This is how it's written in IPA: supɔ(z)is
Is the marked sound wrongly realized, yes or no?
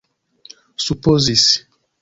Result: no